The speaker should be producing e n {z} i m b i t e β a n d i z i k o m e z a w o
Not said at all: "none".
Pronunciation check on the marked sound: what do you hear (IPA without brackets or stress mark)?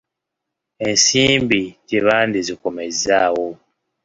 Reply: s